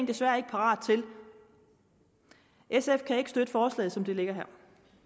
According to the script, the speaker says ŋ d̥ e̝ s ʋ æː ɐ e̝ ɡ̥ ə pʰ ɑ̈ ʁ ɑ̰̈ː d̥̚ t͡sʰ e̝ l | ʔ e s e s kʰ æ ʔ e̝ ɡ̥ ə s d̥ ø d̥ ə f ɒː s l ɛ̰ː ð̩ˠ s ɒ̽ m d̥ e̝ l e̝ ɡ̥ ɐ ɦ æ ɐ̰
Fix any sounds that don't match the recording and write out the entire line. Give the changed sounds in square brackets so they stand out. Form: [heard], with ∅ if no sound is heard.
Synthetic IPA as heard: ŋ d̥ e̝ s ʋ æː ɐ e̝ ɡ̥ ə pʰ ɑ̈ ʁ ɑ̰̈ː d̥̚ t͡sʰ e̝ l | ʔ e s e [f] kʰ æ [∅] e̝ ɡ̥ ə s d̥ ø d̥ ə f ɒː s l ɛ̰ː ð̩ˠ s ɒ̽ m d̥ e̝ l e̝ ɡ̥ ɐ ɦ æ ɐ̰